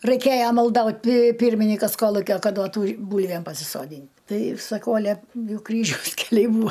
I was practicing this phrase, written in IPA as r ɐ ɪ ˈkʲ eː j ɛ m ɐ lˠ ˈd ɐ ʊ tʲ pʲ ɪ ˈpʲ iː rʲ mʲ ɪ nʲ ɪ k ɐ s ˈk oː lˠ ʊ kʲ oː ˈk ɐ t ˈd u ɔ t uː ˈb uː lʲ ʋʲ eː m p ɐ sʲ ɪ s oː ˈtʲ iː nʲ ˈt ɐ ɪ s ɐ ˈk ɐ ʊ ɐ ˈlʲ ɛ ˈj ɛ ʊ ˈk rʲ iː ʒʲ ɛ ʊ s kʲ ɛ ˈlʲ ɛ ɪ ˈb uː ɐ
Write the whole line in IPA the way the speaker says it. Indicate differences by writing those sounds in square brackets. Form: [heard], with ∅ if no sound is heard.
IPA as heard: r ɐ ɪ ˈkʲ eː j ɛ m ɐ lˠ ˈd ɐ ʊ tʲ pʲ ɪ ˈpʲ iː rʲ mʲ ɪ nʲ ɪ k ɐ s ˈk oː lˠ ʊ kʲ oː ˈk ɐ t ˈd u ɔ t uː ˈb uː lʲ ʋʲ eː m p ɐ sʲ ɪ s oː [ˈdʲ] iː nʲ ˈt ɐ ɪ s ɐ ˈk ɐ ʊ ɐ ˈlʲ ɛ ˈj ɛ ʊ ˈk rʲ iː ʒʲ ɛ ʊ s kʲ ɛ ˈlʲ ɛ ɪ ˈb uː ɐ